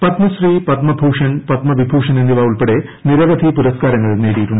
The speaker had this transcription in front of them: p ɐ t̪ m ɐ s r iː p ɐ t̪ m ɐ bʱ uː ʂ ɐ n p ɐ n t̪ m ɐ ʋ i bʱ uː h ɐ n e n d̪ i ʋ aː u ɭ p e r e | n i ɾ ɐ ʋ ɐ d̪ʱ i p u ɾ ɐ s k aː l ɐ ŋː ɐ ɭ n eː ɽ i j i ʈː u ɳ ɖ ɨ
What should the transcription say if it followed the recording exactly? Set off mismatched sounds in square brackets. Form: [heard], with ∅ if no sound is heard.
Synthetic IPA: p ɐ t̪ m ɐ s r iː p ɐ t̪ m ɐ bʱ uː ʂ ɐ n p ɐ [∅] t̪ m ɐ ʋ i bʱ uː [ʂ] ɐ n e n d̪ i ʋ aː u ɭ p e [ɽ] e | n i ɾ ɐ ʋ ɐ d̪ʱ i p u ɾ ɐ s k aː [ɾ] ɐ ŋː ɐ ɭ n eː ɽ i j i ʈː u ɳ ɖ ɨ